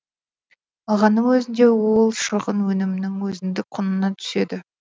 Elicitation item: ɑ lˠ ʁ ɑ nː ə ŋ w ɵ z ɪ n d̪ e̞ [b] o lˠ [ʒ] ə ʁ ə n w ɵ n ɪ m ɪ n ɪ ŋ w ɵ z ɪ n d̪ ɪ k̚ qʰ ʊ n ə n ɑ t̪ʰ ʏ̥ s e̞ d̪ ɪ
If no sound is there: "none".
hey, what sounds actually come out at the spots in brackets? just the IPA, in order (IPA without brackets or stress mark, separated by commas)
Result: w, ʃ